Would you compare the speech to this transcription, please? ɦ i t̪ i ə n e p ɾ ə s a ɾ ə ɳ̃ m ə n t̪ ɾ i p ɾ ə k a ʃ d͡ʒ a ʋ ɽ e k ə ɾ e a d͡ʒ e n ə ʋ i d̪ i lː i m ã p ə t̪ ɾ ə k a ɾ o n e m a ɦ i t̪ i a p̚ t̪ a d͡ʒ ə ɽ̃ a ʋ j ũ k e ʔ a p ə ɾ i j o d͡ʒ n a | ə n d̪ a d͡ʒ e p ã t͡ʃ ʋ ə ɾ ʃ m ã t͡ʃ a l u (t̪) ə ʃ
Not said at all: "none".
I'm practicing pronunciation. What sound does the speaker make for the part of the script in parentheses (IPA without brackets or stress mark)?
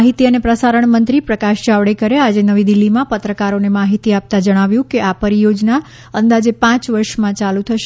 t̪ʰ